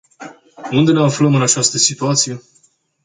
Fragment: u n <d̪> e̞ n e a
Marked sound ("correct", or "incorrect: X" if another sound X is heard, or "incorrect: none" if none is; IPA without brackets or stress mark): correct